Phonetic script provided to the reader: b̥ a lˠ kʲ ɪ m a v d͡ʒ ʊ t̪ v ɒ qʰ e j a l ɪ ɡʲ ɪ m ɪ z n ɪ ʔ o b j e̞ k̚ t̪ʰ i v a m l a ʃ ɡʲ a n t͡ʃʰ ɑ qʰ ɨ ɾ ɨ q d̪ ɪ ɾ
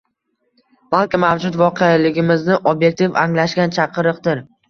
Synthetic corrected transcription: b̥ a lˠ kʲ ɪ m a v d͡ʒ ʊ t̪ v ɒ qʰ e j a l ɪ ɡʲ ɪ m ɪ z n ɪ ʔ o b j e̞ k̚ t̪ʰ i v a ŋ l a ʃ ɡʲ a n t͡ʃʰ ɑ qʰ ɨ ɾ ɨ q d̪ ɪ ɾ